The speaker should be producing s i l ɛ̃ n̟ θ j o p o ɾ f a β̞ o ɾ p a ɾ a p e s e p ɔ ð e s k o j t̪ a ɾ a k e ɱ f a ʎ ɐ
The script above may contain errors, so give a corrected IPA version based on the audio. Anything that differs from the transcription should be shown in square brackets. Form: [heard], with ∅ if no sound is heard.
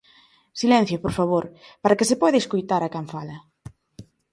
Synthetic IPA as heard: s i l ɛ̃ n̟ θ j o p o ɾ f a β̞ o ɾ p a ɾ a [k] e s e p ɔ ð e s k o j t̪ a ɾ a k [a] ɱ f a [l] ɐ

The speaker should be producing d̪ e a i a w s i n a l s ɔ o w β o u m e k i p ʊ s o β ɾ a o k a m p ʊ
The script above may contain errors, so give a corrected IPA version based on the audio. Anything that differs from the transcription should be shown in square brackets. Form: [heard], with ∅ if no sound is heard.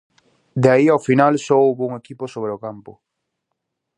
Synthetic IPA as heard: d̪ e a i a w [f] i n a l s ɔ o w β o u [ŋ] e k i p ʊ s o β ɾ [e] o k a m p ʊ

